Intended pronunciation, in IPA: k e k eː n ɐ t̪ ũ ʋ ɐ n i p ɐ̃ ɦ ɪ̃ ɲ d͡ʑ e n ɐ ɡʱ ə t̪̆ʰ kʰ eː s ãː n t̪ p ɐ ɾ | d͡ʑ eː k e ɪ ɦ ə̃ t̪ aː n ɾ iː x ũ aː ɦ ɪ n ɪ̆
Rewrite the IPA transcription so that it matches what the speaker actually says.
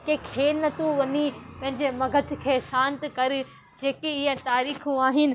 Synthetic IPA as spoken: k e kʰ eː n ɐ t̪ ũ ʋ ɐ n i p ɐ̃ ɦ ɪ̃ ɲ d͡ʑ e m ɐ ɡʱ ə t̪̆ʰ kʰ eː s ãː n t̪ k ɐ ɾ | d͡ʑ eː k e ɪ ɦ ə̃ t̪ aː ɾ iː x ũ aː ɦ ɪ n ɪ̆